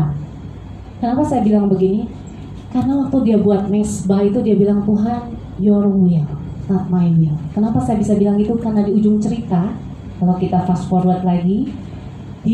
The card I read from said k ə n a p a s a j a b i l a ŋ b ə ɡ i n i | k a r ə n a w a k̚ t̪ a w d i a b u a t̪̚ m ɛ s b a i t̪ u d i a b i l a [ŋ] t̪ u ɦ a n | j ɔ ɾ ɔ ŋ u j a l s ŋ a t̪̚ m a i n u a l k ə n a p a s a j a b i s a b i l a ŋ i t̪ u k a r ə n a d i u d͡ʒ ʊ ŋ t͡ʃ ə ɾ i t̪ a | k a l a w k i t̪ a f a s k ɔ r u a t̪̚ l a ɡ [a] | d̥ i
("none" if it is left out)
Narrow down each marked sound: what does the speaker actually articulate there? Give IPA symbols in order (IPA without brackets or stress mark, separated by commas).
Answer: ŋ, i